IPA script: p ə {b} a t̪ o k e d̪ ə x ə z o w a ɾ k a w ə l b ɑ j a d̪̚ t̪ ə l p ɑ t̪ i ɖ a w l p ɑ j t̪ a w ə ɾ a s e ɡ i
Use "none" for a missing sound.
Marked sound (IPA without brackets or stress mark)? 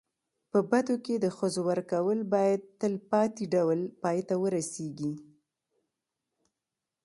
b